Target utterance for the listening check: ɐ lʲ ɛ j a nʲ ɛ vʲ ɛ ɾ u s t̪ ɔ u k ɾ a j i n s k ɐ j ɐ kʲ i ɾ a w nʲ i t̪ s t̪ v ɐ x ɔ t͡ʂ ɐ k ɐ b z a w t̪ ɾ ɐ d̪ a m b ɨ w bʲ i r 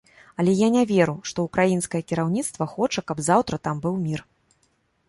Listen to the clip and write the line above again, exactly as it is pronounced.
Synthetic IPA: ɐ lʲ ɛ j a nʲ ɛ vʲ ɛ ɾ u ʂ t̪ ɔ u k ɾ a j i n s k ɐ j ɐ kʲ i ɾ a w nʲ i t̪ s t̪ v ɐ x ɔ t͡ʂ ɐ k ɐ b z a w t̪ ɾ ɐ t̪ a m b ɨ w mʲ i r